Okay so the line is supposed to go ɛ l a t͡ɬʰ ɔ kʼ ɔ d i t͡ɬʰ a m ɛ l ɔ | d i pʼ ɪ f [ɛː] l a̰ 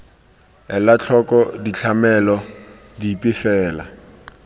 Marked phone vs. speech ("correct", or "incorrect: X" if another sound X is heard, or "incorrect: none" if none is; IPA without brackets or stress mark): correct